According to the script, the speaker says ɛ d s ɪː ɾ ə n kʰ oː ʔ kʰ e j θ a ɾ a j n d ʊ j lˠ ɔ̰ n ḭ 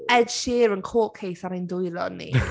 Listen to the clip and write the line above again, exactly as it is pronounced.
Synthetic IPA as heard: ɛ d ʃ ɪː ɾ ə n kʰ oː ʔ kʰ e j θ a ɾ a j n d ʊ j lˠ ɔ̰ n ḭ